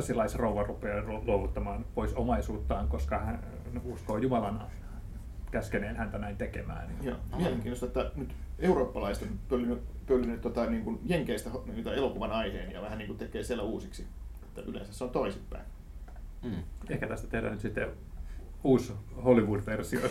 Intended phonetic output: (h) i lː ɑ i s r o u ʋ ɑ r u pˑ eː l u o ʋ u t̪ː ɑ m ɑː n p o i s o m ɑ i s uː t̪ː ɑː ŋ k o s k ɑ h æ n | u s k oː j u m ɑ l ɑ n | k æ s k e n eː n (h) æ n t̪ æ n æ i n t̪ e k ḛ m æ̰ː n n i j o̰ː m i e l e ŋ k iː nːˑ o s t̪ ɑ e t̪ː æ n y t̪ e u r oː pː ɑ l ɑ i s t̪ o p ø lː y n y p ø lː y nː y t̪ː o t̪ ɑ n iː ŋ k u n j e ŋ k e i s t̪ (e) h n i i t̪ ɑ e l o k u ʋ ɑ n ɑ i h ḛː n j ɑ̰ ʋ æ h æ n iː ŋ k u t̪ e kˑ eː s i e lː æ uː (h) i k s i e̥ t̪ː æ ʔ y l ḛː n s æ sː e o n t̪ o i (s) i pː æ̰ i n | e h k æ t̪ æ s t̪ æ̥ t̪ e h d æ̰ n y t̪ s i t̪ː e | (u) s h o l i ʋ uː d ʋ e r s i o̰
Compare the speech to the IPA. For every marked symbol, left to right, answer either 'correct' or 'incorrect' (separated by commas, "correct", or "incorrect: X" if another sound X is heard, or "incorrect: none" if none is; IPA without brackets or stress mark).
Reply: incorrect: s, correct, incorrect: æ, incorrect: s, correct, incorrect: uː